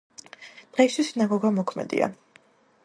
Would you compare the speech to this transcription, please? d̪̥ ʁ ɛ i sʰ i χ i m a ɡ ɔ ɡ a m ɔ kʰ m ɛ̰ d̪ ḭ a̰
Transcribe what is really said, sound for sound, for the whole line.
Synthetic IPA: d̪̥ ʁ ɛ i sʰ i s i n a ɡ ɔ ɡ a m ɔ kʰ m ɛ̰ d̪ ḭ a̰

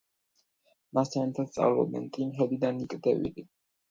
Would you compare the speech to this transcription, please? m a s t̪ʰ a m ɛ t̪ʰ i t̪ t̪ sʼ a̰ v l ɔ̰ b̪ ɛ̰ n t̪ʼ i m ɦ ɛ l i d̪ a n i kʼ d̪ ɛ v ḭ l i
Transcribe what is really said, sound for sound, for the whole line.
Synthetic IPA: m a s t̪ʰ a n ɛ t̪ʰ a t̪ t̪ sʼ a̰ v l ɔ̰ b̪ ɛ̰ n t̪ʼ i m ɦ ɛ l i d̪ a n i kʼ d̪ ɛ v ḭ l i

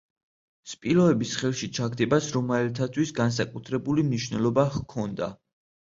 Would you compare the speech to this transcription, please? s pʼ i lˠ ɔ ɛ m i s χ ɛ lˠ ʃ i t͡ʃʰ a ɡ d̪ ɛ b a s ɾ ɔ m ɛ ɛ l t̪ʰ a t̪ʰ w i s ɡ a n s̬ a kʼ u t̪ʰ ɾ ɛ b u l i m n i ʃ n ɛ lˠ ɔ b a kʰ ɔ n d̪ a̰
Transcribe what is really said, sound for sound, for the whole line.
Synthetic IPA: s pʼ i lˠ ɔ ɛ b i s χ ɛ lˠ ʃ i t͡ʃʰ a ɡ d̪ ɛ b a s ɾ ɔ m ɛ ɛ l t̪ʰ a t̪ʰ w i s ɡ a n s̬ a kʼ u t̪ʰ ɾ ɛ b u l i m n i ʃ n ɛ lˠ ɔ b a kʰ ɔ n d̪ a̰

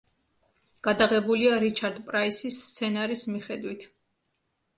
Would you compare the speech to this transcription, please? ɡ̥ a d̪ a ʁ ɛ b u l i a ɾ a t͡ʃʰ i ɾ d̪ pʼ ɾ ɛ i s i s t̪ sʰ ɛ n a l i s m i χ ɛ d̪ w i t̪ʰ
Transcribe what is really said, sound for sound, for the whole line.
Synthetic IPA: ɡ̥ a d̪ a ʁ ɛ b u l i a ɾ i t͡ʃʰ a ɾ d̪ pʼ ɾ a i s i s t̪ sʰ ɛ n a ɾ i s m i χ ɛ d̪ w i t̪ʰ

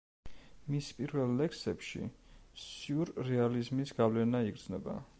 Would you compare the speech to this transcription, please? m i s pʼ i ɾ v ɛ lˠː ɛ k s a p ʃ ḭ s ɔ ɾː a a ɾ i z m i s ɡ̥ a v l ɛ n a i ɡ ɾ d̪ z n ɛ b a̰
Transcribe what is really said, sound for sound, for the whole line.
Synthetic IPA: m i s pʼ i ɾ v ɛ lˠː ɛ k s ɛ p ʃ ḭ s u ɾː ɛ a l i z m i s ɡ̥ a v l ɛ n a i ɡ ɾ d̪ z n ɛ b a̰

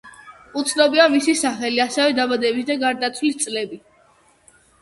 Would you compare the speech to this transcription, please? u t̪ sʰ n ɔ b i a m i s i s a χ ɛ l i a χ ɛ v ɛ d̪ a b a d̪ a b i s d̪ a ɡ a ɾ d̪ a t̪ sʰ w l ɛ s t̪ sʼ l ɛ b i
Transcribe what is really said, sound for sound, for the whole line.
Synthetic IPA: u t̪ sʰ n ɔ b i a m i s i s a χ ɛ l i a s ɛ v ɛ d̪ a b a d̪ ɛ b i s d̪ a ɡ a ɾ d̪ a t̪ sʰ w l i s t̪ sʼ l ɛ b i

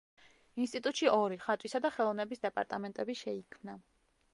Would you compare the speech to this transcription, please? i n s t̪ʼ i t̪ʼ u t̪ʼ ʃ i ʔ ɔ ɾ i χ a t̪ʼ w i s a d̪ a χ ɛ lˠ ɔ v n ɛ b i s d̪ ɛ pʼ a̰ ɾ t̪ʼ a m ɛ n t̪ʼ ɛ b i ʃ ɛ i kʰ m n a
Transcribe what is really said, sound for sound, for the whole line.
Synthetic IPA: i n s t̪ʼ i t̪ʼ u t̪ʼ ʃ i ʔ ɔ ɾ i χ a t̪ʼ w i s a d̪ a χ ɛ lˠ ɔ v n ɛ b i s d̪ ɛ pʼ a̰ ɾ t̪ʼ a m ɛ n t̪ʼ ɛ b i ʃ ɛ i kʰ m n a

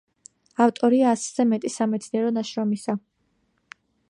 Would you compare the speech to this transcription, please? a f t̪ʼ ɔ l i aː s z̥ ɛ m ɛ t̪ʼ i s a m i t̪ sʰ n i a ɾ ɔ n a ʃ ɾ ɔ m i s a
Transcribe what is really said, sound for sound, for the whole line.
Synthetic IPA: a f t̪ʼ ɔ ɾ i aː s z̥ ɛ m ɛ t̪ʼ i s a m ɛ t̪ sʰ n i ɛ ɾ ɔ n a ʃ ɾ ɔ m i s a

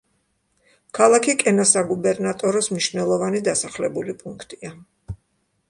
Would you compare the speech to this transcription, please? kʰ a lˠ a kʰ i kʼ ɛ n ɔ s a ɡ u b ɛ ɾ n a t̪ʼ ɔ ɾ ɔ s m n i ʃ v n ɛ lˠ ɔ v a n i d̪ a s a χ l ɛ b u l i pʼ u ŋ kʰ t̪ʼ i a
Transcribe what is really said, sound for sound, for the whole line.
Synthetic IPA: kʰ a lˠ a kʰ i kʼ ɛ n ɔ s a ɡ u b ɛ ɾ n a t̪ʼ ɔ ɾ ɔ s m n i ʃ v n ɛ lˠ ɔ v a n i d̪ a s a χ l ɛ b u l i pʼ u ŋ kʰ t̪ʼ i a

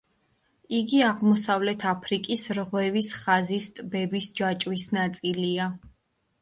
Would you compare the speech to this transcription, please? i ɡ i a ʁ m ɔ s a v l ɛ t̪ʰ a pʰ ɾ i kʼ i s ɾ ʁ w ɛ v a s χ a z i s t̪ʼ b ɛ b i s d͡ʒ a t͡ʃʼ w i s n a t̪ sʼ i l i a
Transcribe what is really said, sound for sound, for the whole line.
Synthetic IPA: i ɡ i a ʁ m ɔ s a v l ɛ t̪ʰ a pʰ ɾ i kʼ i s ɾ ʁ w ɛ v i s χ a z i s t̪ʼ b ɛ b i s d͡ʒ a t͡ʃʼ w i s n a t̪ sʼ i l i a

